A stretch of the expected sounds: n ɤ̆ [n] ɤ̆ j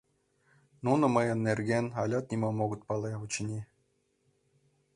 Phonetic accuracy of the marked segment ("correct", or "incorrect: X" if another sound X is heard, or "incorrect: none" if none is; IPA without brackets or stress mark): incorrect: m